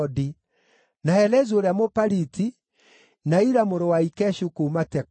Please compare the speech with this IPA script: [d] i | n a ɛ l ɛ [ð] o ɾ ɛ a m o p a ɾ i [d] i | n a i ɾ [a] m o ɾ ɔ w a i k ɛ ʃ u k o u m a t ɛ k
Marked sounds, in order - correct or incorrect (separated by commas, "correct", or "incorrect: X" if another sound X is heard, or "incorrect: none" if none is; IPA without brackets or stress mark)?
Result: correct, incorrect: z, incorrect: t, correct